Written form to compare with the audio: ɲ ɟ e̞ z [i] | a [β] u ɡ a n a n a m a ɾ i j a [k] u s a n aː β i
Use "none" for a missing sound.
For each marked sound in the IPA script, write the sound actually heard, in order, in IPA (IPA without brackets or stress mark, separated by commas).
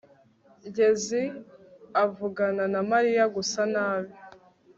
i, v, ɡ